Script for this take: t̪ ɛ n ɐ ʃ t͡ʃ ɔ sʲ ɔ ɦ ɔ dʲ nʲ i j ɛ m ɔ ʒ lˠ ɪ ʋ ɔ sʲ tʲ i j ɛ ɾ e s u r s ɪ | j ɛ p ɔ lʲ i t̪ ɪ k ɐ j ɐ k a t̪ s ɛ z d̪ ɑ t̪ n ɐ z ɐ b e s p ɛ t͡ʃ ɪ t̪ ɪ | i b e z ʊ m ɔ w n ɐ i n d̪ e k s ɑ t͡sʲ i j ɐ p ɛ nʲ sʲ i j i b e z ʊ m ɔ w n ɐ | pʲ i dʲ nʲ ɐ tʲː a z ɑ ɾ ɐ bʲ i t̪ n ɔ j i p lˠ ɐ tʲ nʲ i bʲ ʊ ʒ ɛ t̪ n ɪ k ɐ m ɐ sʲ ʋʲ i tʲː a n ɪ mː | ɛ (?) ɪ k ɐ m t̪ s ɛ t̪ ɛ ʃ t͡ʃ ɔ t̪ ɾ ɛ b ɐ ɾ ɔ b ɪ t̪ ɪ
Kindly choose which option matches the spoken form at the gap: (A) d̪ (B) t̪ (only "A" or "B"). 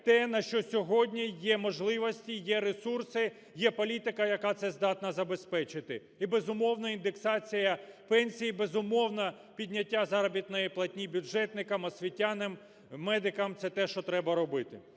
A